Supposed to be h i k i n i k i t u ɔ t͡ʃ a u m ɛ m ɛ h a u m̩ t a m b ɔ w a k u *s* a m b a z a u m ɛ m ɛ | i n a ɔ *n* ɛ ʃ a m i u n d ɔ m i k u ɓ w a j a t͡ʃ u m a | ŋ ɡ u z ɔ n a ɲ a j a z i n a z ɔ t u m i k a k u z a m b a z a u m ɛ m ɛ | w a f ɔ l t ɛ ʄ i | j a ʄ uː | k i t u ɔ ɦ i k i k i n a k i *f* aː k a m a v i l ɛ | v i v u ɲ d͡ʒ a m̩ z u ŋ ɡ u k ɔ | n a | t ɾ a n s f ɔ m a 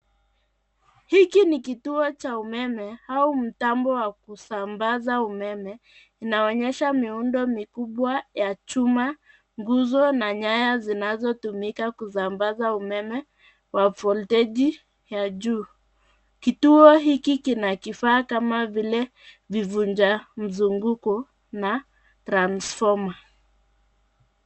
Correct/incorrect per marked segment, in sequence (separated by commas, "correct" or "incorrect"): correct, incorrect, correct